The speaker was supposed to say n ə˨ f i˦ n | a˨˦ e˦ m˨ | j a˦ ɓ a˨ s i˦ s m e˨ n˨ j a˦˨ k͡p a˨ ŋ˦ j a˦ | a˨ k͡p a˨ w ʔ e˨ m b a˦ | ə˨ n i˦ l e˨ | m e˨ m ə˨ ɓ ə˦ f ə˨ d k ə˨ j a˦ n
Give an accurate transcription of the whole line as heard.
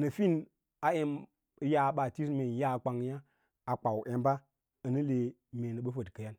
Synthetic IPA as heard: n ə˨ f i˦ n | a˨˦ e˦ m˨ | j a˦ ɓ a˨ t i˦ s m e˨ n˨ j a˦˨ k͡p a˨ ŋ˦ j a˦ | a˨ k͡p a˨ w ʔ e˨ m b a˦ | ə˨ n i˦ l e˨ | m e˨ n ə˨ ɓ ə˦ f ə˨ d k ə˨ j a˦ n